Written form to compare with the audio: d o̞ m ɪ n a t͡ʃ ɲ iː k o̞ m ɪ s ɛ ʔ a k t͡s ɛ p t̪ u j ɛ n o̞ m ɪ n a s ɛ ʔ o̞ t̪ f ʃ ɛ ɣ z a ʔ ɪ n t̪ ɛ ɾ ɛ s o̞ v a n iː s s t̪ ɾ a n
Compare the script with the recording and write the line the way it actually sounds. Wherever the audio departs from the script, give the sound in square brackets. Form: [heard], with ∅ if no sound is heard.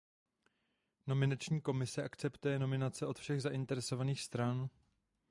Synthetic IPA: [n] o̞ m ɪ n a t͡ʃ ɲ iː k o̞ m ɪ s ɛ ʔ a k t͡s ɛ p t̪ u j ɛ n o̞ m ɪ n a [t͡s] ɛ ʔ o̞ t̪ f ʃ ɛ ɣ z a ʔ ɪ n t̪ ɛ ɾ ɛ s o̞ v a n iː [x] s t̪ ɾ a n